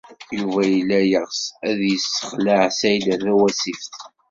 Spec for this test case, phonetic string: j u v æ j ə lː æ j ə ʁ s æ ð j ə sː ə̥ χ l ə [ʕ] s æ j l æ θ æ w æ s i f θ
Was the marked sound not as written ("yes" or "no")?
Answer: no